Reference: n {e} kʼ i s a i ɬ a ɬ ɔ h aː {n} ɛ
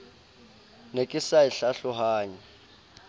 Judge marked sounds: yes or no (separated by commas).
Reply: yes, no